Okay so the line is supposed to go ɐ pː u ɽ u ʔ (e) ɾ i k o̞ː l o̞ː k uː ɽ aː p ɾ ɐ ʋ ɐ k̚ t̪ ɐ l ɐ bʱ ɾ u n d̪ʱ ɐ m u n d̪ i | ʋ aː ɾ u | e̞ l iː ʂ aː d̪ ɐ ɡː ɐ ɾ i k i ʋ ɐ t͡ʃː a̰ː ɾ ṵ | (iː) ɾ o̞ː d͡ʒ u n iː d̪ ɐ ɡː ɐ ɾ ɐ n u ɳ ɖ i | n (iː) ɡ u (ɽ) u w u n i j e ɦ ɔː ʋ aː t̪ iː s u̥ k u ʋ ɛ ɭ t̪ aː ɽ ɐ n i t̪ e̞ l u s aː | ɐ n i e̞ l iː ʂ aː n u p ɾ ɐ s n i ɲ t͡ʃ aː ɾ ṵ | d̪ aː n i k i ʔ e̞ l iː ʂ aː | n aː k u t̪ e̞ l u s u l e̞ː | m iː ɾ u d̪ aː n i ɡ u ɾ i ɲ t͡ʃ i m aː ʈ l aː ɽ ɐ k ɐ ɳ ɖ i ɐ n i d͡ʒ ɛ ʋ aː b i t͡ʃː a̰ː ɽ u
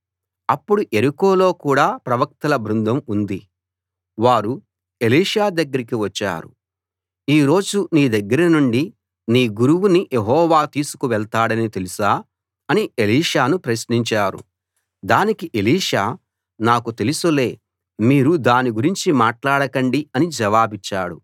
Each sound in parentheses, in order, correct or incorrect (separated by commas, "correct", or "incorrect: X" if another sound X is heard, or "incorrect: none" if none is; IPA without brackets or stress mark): correct, correct, correct, incorrect: ɾ